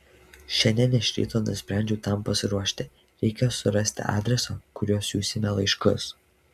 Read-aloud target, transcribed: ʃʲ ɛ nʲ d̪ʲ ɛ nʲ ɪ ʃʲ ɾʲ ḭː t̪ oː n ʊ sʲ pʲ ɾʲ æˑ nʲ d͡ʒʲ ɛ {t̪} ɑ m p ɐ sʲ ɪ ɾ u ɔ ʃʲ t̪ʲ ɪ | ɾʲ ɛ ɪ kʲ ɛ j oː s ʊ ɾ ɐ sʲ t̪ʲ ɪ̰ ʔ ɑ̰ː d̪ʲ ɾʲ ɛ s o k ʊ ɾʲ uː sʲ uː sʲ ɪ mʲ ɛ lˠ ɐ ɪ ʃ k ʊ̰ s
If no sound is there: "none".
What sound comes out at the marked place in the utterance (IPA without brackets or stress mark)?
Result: t̪